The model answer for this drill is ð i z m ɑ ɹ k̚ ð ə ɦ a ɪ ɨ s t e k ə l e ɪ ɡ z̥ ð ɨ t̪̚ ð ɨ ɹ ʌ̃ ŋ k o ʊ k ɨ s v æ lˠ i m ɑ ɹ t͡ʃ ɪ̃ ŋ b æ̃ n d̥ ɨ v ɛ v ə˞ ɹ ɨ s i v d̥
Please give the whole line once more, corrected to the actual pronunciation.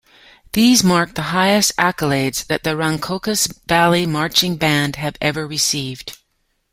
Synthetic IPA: ð i z m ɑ ɹ k̚ ð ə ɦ a ɪ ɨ s t æ k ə l e ɪ d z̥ ð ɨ t̪̚ ð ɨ ɹ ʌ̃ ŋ kʰ o ʊ k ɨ s v æ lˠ i m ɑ ɹ t͡ʃ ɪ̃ ŋ b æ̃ n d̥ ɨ v ɛ v ə˞ ɹ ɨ s i v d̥